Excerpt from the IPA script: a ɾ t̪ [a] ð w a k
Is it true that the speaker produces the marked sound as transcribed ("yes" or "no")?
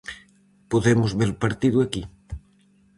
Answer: no